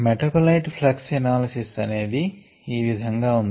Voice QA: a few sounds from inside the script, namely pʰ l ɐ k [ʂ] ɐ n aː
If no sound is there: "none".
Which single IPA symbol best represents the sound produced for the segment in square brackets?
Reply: s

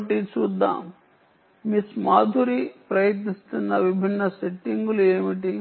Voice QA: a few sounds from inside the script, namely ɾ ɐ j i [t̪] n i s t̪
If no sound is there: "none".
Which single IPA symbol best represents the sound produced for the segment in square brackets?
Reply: t̪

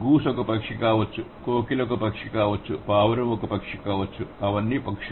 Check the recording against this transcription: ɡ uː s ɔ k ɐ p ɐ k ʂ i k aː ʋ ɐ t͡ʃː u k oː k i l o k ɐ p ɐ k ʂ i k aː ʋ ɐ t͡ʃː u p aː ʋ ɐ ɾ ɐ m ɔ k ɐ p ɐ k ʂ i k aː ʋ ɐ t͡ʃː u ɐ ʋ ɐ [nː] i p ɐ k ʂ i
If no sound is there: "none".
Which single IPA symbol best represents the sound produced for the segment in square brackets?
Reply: nː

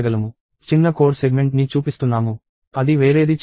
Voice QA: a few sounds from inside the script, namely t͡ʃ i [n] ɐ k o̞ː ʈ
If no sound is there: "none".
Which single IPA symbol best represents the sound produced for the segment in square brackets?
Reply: nː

